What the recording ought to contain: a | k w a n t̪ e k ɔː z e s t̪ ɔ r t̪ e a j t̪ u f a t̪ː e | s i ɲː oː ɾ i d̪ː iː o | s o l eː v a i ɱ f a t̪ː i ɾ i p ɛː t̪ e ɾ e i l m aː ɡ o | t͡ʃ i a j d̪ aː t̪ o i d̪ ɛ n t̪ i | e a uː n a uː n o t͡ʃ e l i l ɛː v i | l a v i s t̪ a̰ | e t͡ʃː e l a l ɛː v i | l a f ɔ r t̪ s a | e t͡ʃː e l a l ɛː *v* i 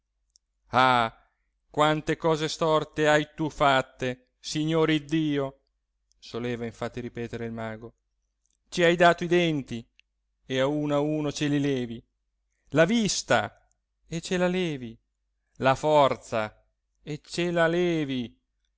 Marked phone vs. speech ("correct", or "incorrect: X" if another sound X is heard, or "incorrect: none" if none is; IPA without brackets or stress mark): correct